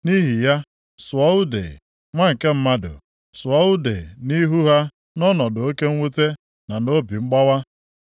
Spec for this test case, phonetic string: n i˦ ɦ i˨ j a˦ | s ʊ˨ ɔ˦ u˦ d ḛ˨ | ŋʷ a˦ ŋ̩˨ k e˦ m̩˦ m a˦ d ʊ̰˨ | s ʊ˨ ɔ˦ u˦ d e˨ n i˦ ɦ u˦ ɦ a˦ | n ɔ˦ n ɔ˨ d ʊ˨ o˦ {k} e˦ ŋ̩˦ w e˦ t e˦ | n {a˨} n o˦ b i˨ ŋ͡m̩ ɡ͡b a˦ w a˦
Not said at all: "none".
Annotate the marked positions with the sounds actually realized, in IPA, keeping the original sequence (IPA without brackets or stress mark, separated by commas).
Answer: k, a˨